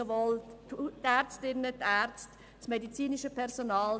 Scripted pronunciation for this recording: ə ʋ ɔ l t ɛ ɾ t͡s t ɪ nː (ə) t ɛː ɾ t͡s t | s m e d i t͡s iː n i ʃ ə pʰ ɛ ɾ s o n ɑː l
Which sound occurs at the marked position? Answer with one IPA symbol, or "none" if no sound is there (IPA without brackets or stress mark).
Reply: ə